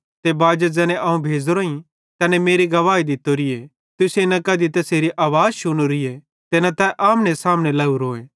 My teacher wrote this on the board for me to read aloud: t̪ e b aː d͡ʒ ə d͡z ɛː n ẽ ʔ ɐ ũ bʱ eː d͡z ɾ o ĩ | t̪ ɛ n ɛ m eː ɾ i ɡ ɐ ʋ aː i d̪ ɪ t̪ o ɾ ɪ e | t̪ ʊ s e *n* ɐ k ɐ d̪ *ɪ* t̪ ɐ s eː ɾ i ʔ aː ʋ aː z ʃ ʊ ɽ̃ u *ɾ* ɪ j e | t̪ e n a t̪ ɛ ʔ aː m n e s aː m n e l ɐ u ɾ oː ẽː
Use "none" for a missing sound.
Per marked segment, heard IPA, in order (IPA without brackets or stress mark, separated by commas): n, i, ɾ